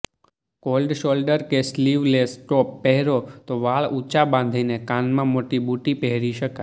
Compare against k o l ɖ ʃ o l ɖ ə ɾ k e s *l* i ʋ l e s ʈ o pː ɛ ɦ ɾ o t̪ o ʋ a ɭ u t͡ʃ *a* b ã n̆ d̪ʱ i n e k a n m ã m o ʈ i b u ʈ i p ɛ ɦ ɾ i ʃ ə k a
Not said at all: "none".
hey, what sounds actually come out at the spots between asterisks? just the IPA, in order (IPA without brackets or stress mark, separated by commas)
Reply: l, a